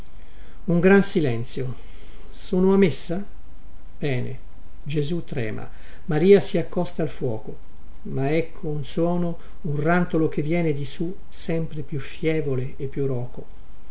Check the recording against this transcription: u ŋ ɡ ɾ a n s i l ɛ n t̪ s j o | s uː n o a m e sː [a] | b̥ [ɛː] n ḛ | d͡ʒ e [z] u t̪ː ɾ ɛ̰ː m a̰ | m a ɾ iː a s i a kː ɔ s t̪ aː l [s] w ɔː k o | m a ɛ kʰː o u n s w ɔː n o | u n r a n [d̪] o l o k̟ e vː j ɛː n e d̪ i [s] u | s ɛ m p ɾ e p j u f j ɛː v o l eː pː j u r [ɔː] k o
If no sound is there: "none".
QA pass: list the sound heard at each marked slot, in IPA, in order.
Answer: a, ɛː, z, f, t̪, s, ɔː

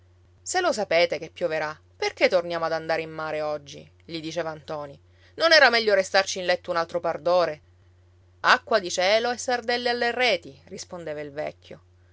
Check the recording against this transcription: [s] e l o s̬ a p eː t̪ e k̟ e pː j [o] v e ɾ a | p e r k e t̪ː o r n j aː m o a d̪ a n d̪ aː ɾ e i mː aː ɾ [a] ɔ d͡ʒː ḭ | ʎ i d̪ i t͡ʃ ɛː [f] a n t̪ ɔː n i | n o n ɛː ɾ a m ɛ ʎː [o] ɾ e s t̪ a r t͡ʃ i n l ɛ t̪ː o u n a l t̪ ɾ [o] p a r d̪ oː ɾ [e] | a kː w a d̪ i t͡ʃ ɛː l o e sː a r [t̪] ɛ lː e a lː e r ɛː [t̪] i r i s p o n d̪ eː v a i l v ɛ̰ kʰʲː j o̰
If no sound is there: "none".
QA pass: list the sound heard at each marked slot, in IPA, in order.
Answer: s, o, e, v, o, o, e, d̪, t̪

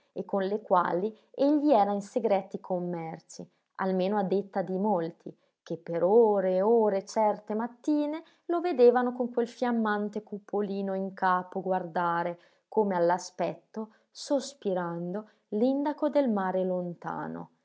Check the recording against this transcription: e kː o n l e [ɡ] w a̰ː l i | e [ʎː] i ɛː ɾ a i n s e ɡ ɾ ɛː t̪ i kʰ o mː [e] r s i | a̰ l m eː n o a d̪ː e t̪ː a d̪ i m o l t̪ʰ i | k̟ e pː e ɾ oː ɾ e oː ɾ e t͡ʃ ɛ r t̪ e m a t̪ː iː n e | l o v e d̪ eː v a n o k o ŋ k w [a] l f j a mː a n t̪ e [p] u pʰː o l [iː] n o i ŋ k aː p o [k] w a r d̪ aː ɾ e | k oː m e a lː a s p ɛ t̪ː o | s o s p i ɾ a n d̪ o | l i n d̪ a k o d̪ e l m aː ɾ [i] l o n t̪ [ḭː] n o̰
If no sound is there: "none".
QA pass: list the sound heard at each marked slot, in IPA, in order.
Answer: k, ʎː, ɛ, e, k, iː, ɡ, e, a̰ː

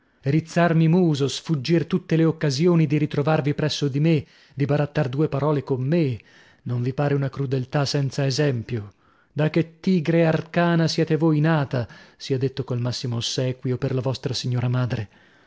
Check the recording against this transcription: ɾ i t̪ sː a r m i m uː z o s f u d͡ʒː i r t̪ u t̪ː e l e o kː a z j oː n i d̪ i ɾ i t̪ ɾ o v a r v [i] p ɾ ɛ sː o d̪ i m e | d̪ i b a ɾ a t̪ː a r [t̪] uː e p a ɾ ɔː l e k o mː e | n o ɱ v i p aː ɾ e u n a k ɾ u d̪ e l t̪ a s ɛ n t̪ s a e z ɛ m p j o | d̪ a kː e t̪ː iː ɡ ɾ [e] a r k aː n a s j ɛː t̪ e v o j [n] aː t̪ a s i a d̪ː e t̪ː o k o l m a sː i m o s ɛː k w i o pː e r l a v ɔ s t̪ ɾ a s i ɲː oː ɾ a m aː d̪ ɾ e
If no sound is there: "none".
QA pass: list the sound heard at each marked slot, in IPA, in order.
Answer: i, d̪, e, n

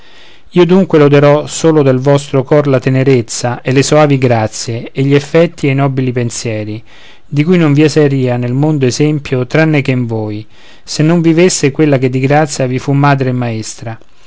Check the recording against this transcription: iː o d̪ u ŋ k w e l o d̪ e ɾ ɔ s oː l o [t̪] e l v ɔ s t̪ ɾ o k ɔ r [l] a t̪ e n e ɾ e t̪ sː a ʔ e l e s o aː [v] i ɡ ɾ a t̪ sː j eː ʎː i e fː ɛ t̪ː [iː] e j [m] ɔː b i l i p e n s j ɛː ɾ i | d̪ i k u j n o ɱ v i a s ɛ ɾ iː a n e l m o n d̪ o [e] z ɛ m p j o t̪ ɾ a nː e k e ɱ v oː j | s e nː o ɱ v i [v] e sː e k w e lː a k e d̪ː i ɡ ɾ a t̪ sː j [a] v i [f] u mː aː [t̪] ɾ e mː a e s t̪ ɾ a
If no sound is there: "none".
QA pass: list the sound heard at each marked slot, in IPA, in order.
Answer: d̪, l, v, i, n, e, v, a, f, d̪

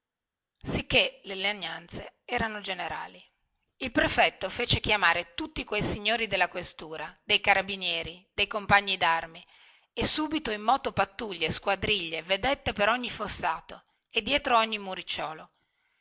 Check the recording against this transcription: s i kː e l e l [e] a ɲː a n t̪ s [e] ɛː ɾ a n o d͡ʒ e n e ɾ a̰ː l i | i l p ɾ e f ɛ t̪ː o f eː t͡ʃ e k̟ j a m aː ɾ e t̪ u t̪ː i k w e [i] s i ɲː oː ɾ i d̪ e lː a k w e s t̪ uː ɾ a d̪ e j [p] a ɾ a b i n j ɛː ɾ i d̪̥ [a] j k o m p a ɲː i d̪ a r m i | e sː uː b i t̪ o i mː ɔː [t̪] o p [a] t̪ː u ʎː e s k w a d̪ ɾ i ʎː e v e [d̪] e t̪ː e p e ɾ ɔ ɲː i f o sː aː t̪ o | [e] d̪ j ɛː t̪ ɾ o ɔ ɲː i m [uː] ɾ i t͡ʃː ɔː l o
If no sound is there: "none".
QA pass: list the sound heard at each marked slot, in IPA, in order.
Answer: e, e, j, k, e, t̪, a, d̪, e, u

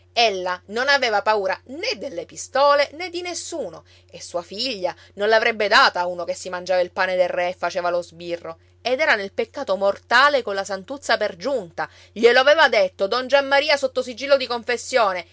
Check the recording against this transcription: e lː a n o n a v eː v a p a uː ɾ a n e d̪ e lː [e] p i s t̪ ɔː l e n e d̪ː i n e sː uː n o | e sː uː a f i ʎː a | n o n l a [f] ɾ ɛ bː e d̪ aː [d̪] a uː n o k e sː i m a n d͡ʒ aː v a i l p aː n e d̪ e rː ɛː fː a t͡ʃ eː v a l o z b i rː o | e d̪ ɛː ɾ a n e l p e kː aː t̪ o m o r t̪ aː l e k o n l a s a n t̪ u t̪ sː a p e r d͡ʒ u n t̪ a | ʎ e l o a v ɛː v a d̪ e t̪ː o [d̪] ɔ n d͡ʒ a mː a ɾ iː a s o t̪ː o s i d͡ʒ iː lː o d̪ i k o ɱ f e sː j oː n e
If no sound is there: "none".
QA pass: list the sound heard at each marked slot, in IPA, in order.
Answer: e, v, t̪, d̪

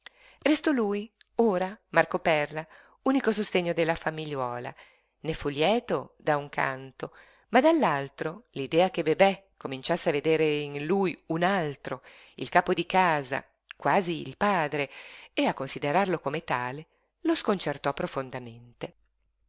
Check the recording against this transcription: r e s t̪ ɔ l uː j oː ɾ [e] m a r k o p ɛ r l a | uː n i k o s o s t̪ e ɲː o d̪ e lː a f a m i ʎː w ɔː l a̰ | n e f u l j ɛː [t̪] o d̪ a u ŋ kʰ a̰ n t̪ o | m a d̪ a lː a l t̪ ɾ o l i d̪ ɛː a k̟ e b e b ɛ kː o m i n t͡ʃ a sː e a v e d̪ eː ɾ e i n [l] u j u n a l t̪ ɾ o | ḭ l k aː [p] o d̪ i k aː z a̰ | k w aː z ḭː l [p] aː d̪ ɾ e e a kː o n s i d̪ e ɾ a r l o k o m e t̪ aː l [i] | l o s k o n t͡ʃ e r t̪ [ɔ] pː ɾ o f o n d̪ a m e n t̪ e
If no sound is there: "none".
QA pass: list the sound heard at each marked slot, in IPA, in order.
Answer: a, t̪, l, p, p, e, ɔ

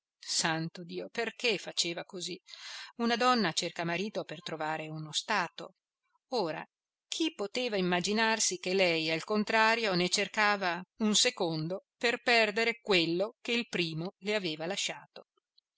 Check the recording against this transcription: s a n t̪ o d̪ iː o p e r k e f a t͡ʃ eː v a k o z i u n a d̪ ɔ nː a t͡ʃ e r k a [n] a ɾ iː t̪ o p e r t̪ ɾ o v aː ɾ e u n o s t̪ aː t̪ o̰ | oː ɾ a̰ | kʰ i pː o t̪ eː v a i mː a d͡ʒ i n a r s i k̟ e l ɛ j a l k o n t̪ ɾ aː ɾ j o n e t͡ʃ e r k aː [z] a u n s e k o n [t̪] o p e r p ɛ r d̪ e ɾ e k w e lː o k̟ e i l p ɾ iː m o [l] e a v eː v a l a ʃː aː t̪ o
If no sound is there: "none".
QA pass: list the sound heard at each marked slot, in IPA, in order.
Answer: m, v, d̪, l

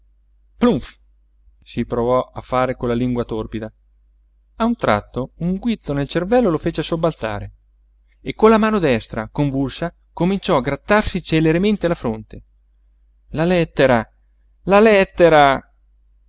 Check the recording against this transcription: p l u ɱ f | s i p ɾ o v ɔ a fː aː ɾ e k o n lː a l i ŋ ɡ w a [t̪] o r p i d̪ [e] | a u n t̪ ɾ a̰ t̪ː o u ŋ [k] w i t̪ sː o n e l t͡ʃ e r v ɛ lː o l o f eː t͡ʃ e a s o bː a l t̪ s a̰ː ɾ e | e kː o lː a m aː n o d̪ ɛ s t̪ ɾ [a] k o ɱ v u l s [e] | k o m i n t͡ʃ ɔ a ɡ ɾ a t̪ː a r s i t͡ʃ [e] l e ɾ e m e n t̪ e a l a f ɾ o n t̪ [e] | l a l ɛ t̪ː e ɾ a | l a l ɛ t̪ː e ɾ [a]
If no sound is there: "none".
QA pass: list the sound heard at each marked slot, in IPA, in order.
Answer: t̪, a, ɡ, a, a, e, e, a

